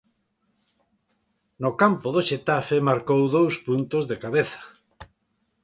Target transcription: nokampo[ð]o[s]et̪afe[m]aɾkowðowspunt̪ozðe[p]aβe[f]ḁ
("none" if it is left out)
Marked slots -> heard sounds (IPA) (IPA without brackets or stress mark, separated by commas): ð, ʃ, m, k, θ